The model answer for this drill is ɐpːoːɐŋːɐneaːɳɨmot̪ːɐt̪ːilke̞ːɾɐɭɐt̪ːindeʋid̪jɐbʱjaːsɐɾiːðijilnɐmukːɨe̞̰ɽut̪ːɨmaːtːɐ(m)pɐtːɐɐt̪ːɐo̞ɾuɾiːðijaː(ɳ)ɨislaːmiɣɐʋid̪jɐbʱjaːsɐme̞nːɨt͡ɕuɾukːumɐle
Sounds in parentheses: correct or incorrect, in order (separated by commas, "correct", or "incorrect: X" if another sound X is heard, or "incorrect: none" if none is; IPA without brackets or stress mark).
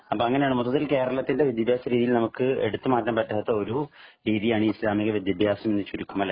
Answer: correct, correct